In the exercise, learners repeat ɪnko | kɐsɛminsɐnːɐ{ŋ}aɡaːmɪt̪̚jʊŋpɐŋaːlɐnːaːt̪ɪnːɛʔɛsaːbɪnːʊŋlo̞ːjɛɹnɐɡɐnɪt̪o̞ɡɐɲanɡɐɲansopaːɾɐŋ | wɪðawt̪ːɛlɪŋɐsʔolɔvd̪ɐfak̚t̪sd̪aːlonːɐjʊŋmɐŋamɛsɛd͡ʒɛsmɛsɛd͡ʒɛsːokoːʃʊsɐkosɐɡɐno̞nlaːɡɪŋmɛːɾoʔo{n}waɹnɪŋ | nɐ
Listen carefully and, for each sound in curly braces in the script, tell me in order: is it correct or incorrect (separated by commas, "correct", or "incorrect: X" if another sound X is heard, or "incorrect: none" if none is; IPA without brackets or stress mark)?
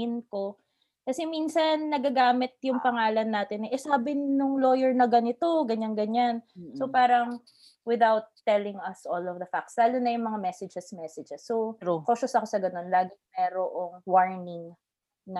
incorrect: ɡ, incorrect: ŋ